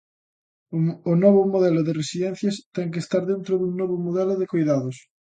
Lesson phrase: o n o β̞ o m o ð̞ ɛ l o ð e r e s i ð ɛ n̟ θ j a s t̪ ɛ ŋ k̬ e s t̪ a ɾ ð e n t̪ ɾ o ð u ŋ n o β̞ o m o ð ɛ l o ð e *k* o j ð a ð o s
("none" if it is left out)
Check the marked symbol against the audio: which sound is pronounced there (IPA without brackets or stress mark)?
k